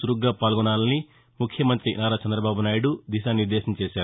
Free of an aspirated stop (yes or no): no